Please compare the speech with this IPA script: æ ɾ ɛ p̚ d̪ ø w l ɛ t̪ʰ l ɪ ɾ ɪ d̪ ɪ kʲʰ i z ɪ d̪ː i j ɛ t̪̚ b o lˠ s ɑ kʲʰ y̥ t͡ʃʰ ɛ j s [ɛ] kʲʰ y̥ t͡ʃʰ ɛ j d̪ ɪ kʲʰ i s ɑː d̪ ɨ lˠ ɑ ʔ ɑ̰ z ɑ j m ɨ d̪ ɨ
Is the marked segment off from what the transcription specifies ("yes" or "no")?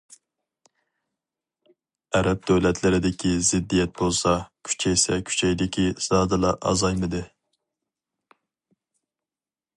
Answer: no